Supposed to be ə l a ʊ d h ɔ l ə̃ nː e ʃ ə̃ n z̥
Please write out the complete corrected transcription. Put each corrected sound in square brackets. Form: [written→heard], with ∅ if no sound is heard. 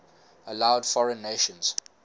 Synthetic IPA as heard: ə l a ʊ d [h→f] ɔ [l→ɹ] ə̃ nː e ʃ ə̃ n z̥